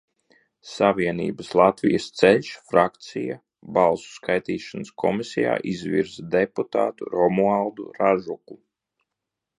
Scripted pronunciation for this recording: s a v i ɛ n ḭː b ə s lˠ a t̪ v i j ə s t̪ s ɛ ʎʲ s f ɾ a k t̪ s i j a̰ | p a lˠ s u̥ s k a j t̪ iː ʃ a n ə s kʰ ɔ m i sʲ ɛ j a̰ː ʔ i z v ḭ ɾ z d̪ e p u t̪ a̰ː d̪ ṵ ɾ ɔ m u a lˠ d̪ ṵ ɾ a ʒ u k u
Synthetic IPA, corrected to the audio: s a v i ɛ n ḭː b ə s lˠ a t̪ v i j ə s t̪ s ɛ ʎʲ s f ɾ a k t̪ s i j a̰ | b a lˠ s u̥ s k a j t̪ iː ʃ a n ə s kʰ ɔ m i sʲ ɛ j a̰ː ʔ i z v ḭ ɾ z d̪ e p u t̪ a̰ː t̪ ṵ ɾ ɔ m u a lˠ d̪ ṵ ɾ a ʒ u k u